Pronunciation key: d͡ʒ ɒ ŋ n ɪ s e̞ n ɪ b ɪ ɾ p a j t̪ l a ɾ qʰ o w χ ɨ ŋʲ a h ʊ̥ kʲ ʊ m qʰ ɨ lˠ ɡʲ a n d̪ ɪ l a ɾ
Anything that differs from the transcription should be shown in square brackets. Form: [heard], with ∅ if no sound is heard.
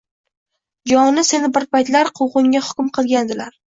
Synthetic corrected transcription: d͡ʒ ɒ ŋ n ɪ s e̞ n ɪ b ɪ ɾ p a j t̪ l a ɾ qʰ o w [ʁ] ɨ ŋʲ a h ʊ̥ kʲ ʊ m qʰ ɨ lˠ ɡʲ a n d̪ ɪ l a ɾ